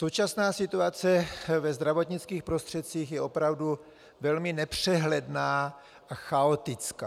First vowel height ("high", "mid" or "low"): mid